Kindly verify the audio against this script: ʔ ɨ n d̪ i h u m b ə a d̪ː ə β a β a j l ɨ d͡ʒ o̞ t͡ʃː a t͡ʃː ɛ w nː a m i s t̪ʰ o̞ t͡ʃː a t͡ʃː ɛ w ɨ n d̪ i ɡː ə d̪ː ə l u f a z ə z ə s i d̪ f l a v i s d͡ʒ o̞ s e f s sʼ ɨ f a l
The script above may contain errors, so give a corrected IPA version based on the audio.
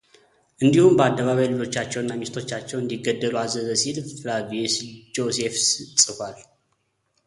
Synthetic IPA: ʔ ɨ n d̪ i h u m b ə a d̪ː ə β a β a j l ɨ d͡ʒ o̞ t͡ʃː a t͡ʃː ɛ w nː a m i s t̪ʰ o̞ t͡ʃː a t͡ʃː ɛ w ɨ n d̪ i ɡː ə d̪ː ə l u a z ə z ə s i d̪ f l a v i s d͡ʒ o̞ s e f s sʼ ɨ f a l

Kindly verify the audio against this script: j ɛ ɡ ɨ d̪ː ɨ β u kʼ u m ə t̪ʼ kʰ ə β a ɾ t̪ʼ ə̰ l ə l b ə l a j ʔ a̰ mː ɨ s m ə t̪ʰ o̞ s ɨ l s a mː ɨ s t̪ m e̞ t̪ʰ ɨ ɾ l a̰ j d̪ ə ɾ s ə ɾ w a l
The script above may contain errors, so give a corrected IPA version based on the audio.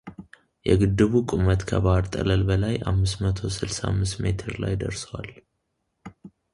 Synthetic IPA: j ɛ ɡ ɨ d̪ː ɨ β u kʼ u m ə t̪ kʰ ə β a ɾ t̪ʼ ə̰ l ə l b ə l a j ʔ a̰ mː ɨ s m ə t̪ʰ o̞ s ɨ l s a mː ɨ s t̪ m e̞ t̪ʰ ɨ ɾ l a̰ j d̪ ə ɾ s ə w a l

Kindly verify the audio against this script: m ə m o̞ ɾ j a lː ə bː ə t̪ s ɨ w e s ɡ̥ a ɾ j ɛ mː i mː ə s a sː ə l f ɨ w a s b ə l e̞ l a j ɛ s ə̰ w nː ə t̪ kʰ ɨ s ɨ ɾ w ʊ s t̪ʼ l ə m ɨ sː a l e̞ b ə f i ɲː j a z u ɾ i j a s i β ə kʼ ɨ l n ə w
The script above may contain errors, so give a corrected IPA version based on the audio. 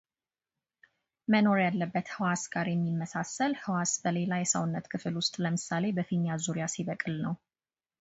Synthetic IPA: m ə n o̞ ɾ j a lː ə bː ə t̪ h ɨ w a s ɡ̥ a ɾ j ɛ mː i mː ə s a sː ə l h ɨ w a s b ə l e̞ l a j ɛ s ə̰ w nː ə t̪ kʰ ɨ f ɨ l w ʊ s t̪ʼ l ə m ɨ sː a l e̞ b ə f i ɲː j a z u ɾ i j a s i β ə kʼ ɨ l n ə w

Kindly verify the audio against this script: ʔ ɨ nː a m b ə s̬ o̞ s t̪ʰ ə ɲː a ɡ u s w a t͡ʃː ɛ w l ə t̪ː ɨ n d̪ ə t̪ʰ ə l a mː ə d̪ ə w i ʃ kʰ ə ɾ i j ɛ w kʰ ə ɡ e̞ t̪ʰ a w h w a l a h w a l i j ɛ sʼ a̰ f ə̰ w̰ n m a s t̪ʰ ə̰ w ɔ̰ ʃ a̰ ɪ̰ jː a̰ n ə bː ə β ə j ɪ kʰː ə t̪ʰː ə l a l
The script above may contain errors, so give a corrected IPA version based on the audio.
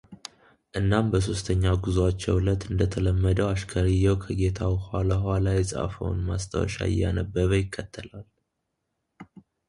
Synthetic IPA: ʔ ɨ nː a m b ə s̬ o̞ s t̪ʰ ə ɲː a ɡ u z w a t͡ʃː ɛ w l ə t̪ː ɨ n d̪ ə t̪ʰ ə l ə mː ə d̪ ə w a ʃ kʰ ə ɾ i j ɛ w kʰ ə ɡ e̞ t̪ʰ a w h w a l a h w a l a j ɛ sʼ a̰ f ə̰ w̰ n m a s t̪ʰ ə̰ w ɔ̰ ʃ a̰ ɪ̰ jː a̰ n ə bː ə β ə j ɪ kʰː ə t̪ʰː ə l a l

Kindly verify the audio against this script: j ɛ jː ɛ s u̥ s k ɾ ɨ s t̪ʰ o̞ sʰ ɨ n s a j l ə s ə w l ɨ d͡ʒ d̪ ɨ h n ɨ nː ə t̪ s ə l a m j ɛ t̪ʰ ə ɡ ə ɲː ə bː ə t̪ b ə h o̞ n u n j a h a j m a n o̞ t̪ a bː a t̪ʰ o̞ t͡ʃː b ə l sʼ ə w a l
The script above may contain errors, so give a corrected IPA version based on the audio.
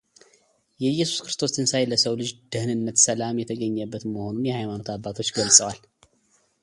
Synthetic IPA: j ɛ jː ɛ s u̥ s k ɾ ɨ s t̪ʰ o̞ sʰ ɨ n s a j l ə s ə w l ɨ d͡ʒ d̪ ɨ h n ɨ nː ə t̪ s ə l a m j ɛ t̪ʰ ə ɡ ə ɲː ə bː ə t̪ m ə h o̞ n u n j ɛ h a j m a n o̞ t̪ a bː a t̪ʰ o̞ t͡ʃː ɡ ə l sʼ ə w a l

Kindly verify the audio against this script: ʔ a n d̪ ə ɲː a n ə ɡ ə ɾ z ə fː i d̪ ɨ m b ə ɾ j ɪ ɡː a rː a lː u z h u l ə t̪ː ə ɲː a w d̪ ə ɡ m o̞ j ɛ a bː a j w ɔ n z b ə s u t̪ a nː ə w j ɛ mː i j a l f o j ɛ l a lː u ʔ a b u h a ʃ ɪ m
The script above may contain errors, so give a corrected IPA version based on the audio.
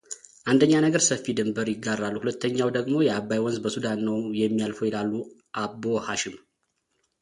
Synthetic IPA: ʔ a n d̪ ə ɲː a n ə ɡ ə ɾ s ə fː i d̪ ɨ m b ə ɾ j ɪ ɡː a rː a lː u h u l ə t̪ː ə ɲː a w d̪ ə ɡ m o̞ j ɛ a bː a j w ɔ n z b ə s u d̪ a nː ə w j ɛ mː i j a l f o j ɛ l a lː u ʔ a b o h a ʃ ɪ m

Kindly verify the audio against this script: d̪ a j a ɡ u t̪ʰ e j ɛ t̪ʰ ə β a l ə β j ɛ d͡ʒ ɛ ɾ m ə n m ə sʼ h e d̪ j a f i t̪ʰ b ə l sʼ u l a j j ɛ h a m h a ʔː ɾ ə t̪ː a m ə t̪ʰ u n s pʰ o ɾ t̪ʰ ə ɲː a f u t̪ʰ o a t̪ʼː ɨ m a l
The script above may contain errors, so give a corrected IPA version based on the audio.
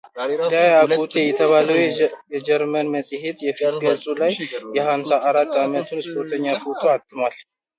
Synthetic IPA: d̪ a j a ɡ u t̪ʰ e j ɛ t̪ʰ ə β a l ə w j ɛ d͡ʒ ɛ ɾ m ə n m ə sʼ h e t̪ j ɛ f i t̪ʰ ɡ ə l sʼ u l a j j ɛ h a m s a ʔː ɾ a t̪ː a m ə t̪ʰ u n s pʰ o ɾ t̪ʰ ə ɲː a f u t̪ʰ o a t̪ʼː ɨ m a l

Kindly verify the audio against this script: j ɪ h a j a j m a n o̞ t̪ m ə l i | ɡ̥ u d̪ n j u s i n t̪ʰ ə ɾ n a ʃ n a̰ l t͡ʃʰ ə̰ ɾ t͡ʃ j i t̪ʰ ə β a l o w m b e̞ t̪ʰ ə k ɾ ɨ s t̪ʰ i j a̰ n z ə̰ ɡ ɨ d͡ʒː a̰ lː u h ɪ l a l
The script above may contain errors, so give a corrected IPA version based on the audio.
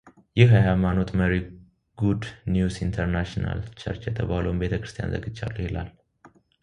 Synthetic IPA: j ɪ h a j a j m a n o̞ t̪ m ə ɾ i | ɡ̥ u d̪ n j u s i n t̪ʰ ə ɾ n a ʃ n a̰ l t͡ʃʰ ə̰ ɾ t͡ʃ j ɛ t̪ʰ ə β a l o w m b e̞ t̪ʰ ə k ɾ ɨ s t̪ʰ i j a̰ n z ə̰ ɡ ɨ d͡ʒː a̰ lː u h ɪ l a l

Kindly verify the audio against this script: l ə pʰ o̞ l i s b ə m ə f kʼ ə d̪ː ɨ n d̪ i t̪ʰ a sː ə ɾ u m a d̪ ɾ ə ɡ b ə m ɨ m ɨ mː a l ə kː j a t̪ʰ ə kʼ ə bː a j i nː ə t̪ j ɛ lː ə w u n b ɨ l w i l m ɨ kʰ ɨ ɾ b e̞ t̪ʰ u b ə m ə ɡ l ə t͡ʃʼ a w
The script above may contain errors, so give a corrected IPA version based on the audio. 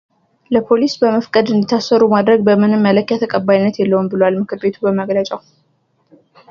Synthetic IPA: l ə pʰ o̞ l i s b ə m ə f kʼ ə d̪ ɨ n d̪ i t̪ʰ a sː ə ɾ u m a d̪ ɾ ə ɡ b ə m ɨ n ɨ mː ə l ə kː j a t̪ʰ ə kʼ ə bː a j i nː ə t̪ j ɛ lː ə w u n b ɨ l w a l m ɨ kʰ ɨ ɾ b e̞ t̪ʰ u b ə m ə ɡ l ə t͡ʃʼ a w

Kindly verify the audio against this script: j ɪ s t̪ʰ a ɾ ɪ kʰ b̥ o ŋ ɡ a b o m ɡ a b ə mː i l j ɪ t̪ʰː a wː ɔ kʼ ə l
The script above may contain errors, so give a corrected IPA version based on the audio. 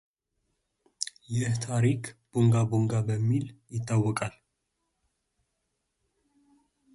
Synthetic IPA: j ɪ h t̪ʰ a ɾ i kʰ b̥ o ŋ ɡ a b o ŋ ɡ a b ə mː i l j ɪ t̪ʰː a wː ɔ kʼ a l

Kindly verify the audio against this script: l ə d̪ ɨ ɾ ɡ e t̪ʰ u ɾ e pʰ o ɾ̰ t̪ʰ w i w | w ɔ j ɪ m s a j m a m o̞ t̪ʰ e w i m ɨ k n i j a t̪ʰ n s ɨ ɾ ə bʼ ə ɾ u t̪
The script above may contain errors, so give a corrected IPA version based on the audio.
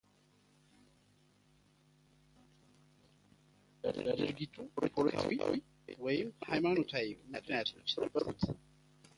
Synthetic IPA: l ə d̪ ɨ ɾ ɡ i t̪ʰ u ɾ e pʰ o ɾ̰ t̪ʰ w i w | w ɔ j ɪ m h a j m a n o̞ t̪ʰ a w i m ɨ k n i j a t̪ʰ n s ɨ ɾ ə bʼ ə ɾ u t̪

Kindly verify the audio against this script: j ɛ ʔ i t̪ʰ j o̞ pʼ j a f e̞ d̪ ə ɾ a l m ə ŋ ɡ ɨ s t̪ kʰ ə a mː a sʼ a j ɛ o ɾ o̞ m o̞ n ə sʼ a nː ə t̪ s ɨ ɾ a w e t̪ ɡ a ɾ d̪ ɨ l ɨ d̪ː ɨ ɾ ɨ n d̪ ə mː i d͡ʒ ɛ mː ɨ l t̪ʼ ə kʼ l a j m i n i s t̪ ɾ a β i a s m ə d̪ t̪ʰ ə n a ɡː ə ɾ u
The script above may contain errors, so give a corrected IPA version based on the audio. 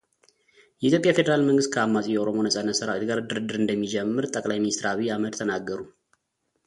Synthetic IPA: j ɛ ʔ i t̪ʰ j o̞ pʼ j a f e̞ d̪ ə ɾ a l m ə ŋ ɡ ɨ s t̪ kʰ ə a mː a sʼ i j ɛ o ɾ o̞ m o̞ n ə sʼ a nː ə t̪ s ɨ ɾ a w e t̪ ɡ a ɾ d̪ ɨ ɾ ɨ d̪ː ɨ ɾ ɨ n d̪ ə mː i d͡ʒ ɛ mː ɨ ɾ t̪ʼ ə kʼ l a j m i n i s t̪ ɾ a β i a m ə d̪ t̪ʰ ə n a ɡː ə ɾ u

